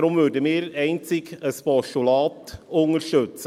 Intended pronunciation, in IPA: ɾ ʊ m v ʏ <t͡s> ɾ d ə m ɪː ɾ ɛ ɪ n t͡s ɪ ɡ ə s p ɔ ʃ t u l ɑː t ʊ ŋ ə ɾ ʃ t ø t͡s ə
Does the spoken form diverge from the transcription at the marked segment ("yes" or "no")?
yes